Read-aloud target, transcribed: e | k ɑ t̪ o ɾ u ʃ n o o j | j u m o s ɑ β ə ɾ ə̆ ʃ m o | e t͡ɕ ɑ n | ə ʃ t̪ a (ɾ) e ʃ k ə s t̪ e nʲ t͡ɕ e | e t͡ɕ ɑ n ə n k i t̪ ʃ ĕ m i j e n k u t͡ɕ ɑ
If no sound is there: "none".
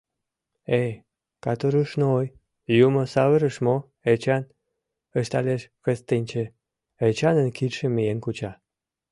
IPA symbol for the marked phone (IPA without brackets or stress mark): l